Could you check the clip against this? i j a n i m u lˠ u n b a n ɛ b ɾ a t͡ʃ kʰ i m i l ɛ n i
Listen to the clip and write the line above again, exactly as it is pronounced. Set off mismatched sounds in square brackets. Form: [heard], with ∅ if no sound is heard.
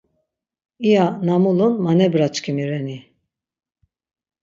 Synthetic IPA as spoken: i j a n [a] m u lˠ u n [m] a n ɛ b ɾ a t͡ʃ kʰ i m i [ɾ] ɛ n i